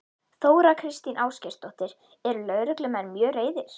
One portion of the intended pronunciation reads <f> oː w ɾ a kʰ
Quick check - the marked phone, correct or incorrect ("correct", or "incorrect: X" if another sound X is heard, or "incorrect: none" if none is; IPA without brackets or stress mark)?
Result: incorrect: θ